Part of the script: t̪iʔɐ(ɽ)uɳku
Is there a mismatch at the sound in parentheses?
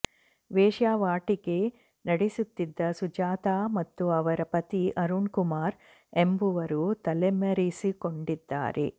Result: yes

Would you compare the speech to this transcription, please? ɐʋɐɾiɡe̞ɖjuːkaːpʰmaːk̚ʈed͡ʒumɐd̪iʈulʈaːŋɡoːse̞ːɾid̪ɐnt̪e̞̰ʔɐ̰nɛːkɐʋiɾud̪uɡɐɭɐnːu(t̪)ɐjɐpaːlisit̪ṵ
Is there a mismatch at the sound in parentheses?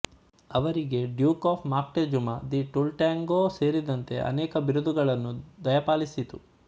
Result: yes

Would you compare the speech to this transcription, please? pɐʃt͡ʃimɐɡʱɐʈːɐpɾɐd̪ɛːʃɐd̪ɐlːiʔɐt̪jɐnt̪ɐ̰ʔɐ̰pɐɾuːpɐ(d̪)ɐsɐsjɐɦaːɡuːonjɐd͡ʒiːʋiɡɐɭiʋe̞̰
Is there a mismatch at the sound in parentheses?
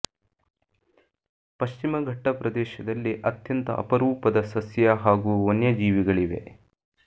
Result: no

